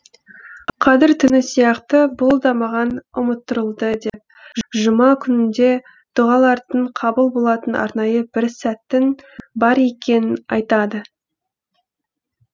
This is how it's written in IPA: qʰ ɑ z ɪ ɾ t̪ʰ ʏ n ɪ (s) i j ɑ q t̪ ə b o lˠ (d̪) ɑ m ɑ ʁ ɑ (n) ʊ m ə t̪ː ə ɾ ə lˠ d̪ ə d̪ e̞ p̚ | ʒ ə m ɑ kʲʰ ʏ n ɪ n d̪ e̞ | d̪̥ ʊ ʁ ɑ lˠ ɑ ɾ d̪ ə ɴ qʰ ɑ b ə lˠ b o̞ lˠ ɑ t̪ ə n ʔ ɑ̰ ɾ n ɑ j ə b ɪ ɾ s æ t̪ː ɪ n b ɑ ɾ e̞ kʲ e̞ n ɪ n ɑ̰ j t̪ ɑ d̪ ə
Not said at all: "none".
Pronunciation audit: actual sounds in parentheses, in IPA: s, d̪, n

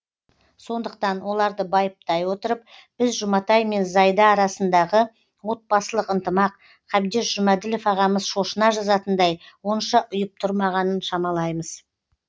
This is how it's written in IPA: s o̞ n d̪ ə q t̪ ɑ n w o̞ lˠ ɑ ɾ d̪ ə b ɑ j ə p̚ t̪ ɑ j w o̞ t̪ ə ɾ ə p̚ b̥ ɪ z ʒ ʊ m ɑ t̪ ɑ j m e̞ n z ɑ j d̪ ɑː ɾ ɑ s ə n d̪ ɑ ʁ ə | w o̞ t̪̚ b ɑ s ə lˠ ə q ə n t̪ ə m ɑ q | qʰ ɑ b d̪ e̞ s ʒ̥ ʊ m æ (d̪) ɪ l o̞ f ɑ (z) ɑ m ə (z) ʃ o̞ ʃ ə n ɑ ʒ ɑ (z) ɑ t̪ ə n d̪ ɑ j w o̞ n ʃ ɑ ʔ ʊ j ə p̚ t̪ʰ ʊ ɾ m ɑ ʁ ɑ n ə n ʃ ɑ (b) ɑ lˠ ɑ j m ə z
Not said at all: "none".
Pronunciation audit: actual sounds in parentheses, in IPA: d̪, ʁ, z, z, m

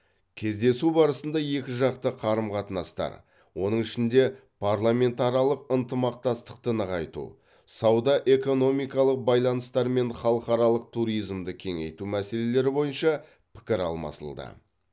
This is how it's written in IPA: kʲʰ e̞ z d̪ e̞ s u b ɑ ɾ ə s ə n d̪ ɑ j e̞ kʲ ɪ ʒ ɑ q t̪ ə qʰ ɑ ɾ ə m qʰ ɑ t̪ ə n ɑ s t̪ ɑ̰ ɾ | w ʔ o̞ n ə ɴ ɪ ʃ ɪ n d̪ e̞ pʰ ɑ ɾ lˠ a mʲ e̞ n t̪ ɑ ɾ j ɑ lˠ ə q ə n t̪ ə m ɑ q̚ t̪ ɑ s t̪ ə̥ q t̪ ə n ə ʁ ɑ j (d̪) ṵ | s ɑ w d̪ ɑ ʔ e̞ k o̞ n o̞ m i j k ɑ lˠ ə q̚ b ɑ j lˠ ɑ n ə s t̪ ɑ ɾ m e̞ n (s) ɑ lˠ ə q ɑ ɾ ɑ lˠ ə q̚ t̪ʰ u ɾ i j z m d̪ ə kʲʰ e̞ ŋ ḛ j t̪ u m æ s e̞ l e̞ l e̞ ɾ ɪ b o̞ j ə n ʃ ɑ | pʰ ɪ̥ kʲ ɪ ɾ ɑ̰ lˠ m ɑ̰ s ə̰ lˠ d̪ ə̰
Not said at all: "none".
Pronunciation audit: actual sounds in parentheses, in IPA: t̪, χ

